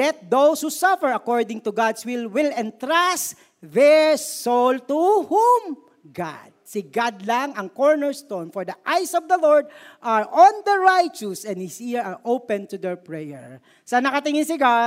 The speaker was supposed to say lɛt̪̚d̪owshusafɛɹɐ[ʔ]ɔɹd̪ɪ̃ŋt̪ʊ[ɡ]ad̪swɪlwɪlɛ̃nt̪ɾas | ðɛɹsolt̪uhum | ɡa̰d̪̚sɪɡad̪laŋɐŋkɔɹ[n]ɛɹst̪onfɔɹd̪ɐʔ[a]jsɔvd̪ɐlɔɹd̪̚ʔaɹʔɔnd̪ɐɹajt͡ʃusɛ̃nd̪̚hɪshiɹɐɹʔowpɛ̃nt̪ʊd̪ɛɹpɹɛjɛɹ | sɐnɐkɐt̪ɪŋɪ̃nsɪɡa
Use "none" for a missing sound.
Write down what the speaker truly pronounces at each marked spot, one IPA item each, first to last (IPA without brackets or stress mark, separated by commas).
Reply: k, ɡ, n, a